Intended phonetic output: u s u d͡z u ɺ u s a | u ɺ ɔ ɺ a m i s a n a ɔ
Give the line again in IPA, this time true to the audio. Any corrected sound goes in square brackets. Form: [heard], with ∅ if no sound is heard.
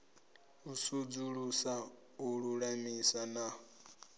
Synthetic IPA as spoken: u s u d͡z u ɺ u s a | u ɺ [u] ɺ a m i s a n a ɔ

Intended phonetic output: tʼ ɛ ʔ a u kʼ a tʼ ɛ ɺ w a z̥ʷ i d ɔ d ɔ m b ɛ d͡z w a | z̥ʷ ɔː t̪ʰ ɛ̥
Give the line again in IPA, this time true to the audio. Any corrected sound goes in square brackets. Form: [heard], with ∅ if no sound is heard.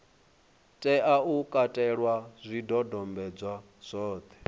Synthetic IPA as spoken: tʼ ɛ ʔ a u kʼ a tʼ ɛ ɺ w a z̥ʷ i d ɔ d ɔ m b ɛ d͡z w a | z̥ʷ ɔː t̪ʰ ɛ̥

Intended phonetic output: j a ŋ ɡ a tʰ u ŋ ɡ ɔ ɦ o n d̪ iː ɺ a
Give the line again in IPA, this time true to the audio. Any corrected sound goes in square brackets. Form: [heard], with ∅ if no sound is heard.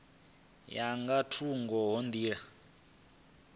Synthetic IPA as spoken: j a ŋ ɡ a tʰ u ŋ ɡ ɔ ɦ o n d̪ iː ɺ a

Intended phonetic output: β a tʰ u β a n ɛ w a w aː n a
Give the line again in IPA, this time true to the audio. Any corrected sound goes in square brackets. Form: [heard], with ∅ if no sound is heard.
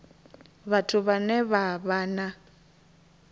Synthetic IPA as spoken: β a tʰ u β a n ɛ [β] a [β] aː n a

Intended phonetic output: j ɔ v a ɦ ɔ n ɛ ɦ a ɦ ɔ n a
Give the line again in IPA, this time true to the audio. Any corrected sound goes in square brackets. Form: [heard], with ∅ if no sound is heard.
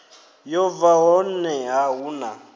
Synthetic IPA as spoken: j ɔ v a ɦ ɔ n ɛ ɦ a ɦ [u] n a

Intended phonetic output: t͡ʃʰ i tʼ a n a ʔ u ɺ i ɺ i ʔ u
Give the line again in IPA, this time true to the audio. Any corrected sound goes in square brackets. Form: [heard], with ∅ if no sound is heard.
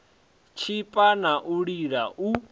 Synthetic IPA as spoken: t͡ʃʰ i [pʼ] a n a ʔ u ɺ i ɺ [a] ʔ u

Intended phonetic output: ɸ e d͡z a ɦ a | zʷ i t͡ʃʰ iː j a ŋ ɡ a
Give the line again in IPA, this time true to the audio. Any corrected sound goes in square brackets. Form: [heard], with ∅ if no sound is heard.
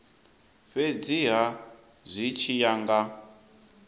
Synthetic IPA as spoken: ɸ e d͡z [i] ɦ a | zʷ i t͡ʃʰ [i] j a ŋ ɡ a

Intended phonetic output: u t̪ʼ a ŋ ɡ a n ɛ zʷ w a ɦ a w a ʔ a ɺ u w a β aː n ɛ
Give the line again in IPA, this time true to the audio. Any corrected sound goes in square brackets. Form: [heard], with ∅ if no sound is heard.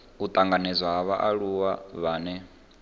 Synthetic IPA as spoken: u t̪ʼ a ŋ ɡ a n ɛ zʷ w a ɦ a [β] a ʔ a ɺ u w a β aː n ɛ

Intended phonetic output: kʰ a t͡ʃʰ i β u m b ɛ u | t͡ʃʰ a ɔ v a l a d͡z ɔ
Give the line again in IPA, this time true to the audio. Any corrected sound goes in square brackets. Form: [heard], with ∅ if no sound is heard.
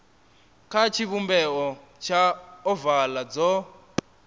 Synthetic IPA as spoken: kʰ a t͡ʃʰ i β u m b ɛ [ɔ] | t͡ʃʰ a ɔ v a l a d͡z ɔ

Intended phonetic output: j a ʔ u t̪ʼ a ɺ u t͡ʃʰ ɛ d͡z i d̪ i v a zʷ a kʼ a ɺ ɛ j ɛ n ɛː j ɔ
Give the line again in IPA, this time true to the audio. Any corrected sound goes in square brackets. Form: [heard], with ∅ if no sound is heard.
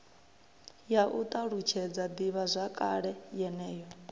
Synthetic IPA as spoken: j a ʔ u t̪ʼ a ɺ u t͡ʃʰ ɛ d͡z [a] d̪ i [β] a zʷ a kʼ a ɺ ɛ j ɛ n ɛː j ɔ

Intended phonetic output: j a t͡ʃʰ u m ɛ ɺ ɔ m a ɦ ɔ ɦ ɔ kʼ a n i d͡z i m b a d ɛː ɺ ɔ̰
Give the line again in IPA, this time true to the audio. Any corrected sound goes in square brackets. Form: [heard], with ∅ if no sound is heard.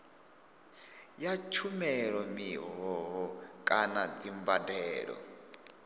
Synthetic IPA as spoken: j a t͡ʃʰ u m ɛ ɺ ɔ m [i] ɦ ɔ ɦ ɔ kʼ a n [a] d͡z i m b a d ɛː ɺ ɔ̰

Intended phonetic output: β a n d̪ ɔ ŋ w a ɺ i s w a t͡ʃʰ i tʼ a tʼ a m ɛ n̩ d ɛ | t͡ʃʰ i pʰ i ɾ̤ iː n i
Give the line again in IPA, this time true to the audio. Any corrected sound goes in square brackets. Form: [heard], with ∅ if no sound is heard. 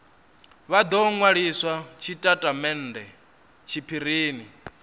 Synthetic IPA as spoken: β a [∅] d̪ ɔ ŋ w a ɺ i s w a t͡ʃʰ i tʼ a tʼ a m ɛ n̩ d ɛ | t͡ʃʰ i pʰ i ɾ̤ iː n i

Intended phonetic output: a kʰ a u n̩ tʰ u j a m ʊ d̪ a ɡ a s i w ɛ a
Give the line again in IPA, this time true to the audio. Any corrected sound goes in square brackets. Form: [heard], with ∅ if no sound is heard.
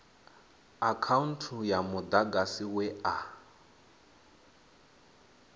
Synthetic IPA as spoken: a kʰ a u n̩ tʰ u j a m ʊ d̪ a ɡ a s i w ɛ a

